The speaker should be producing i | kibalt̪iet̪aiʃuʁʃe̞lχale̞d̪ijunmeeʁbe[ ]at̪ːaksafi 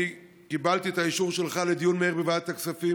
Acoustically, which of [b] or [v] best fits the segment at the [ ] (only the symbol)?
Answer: v